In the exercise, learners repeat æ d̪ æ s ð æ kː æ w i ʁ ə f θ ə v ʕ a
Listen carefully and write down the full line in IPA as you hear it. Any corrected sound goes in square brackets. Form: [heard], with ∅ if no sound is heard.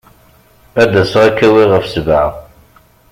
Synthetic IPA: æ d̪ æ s [ʁ] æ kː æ w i ʁ ə f [s] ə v ʕ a

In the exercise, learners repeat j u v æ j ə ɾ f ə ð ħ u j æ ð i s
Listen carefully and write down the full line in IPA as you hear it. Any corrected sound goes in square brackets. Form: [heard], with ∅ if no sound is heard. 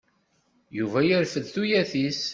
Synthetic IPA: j u v æ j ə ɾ f ə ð [θ] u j æ [θ] i s

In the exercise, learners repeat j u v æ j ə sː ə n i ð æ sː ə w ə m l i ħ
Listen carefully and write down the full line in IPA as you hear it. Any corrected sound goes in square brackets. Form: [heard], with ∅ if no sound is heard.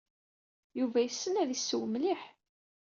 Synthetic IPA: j u v æ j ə sː ə n [æ] ð [i] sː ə w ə m l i ħ

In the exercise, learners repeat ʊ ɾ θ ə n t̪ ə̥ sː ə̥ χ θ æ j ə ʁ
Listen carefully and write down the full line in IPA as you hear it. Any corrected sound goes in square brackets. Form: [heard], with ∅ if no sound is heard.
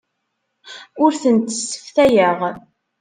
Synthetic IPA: ʊ ɾ θ ə n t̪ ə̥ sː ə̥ [f] θ æ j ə ʁ

